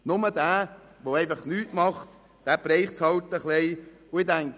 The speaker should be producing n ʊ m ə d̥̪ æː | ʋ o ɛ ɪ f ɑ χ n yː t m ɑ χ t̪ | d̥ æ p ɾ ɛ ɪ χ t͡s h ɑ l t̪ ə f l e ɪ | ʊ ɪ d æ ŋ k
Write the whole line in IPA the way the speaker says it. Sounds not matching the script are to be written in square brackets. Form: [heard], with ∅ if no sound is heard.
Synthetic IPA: n ʊ m ə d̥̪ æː | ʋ o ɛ ɪ f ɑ χ n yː t m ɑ χ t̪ | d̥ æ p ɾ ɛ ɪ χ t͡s h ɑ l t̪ ə [χ] l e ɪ | ʊ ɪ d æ ŋ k